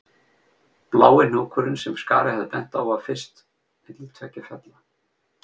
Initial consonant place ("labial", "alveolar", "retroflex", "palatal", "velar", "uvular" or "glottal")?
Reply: labial